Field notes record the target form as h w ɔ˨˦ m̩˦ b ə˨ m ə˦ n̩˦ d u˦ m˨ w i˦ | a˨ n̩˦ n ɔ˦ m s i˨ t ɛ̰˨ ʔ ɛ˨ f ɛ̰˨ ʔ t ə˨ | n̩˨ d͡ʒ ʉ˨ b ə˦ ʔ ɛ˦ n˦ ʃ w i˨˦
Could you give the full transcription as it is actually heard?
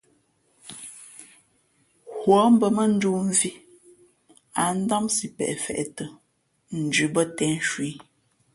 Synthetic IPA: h w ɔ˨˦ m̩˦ b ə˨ m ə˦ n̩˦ d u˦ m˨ v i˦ | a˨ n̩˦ d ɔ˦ m s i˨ p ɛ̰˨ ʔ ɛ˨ f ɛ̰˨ ʔ t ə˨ | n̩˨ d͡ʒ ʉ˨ b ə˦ t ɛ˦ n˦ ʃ w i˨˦